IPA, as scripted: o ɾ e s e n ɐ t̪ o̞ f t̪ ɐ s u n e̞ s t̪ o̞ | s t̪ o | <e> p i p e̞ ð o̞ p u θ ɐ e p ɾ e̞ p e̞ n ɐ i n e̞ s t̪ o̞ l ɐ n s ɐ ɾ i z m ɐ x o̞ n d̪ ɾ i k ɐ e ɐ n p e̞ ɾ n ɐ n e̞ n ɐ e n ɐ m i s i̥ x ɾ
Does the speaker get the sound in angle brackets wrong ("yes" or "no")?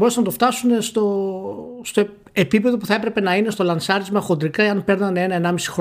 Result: no